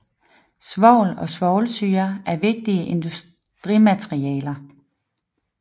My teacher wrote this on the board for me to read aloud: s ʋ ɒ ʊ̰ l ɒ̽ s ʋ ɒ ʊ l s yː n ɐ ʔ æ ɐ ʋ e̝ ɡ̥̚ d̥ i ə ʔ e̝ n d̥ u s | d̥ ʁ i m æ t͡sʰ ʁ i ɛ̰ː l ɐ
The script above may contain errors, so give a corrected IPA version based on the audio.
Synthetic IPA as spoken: s ʋ ɒ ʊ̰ l ɒ̽ s ʋ ɒ ʊ l s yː ɐ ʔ æ ɐ ʋ e̝ ɡ̥̚ d̥ i ə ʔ e̝ n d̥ u s | d̥ ʁ i m æ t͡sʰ ʁ i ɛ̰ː l ɐ